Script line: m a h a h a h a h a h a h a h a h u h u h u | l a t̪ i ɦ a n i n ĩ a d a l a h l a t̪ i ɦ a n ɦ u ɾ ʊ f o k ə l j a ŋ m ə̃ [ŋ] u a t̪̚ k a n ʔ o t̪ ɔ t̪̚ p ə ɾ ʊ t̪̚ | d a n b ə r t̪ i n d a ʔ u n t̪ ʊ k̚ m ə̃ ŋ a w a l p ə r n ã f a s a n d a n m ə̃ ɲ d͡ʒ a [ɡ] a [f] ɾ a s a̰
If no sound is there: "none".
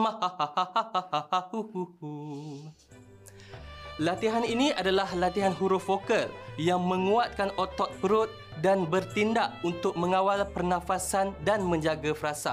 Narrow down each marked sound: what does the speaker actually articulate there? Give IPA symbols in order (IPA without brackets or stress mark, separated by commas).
ŋ, ɡ, f